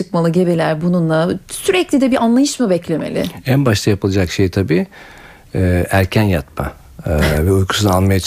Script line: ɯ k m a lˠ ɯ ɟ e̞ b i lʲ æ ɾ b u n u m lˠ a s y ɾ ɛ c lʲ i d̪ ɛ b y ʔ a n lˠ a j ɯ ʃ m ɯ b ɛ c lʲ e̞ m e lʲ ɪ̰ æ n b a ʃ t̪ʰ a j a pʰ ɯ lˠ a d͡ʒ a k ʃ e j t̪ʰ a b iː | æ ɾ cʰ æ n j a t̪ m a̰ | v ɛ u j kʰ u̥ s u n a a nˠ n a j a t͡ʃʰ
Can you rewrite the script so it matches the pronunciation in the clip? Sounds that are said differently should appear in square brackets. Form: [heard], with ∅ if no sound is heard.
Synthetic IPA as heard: ɯ k m a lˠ ɯ ɟ e̞ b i lʲ æ ɾ b u n u [n] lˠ a s y ɾ ɛ c lʲ i d̪ ɛ b [i] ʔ a n lˠ a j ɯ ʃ m ɯ b ɛ c lʲ e̞ m e lʲ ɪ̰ æ n b a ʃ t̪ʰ a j a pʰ ɯ lˠ a d͡ʒ a k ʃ e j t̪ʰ a b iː | æ ɾ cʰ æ n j a t̪ m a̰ | v ɛ u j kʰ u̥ s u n a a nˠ [m] a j a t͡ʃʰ